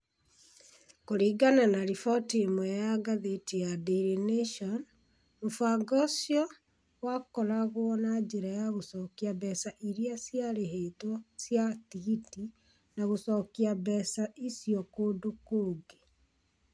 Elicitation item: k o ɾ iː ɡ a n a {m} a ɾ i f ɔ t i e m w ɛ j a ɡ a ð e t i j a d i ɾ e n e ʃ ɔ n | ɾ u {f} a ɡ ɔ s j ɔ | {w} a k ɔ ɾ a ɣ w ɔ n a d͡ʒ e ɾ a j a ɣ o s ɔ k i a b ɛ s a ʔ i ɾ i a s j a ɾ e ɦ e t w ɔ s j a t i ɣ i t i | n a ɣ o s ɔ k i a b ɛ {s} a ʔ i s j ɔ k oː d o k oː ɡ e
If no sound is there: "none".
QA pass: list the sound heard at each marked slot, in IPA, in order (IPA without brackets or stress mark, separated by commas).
n, f, w, s